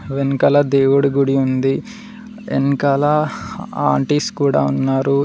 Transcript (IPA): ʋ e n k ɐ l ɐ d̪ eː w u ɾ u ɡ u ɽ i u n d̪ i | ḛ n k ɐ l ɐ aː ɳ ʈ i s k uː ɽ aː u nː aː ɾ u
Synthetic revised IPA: ʋ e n k ɐ l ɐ d̪ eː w u ɽ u ɡ u ɽ i u n d̪ i | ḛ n k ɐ l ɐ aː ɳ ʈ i s k uː ɽ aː u nː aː ɾ u